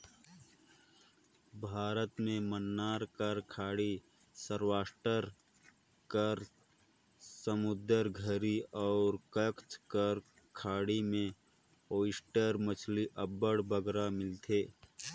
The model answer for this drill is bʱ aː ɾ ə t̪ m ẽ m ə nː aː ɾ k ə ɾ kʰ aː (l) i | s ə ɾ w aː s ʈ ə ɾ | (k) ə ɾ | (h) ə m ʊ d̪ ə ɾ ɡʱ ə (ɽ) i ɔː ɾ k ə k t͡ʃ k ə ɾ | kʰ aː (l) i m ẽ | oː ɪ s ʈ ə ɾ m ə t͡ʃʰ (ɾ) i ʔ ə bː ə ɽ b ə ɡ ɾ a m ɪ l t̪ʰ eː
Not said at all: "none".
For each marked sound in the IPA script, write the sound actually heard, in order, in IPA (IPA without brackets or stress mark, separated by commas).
ɽ, k, s, ɾ, ɽ, l